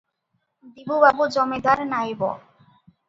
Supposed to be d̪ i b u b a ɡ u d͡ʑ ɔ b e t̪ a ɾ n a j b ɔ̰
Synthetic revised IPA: d̪ i b u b a b u d͡ʑ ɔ m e d̪ a ɾ n a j b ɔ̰